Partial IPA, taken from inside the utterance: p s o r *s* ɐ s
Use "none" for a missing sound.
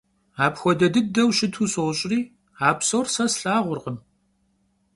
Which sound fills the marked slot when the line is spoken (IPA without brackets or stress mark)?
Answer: s